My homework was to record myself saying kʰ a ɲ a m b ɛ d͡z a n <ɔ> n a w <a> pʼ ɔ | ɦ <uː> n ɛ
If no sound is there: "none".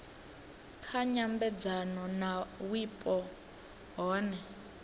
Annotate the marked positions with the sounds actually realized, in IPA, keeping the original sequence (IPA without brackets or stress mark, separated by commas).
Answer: ɔ, i, ɔː